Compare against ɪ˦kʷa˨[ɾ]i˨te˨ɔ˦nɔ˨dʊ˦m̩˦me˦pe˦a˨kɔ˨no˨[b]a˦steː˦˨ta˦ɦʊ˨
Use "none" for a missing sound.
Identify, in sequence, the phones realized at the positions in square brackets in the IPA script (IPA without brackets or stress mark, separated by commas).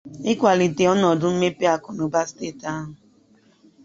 l, b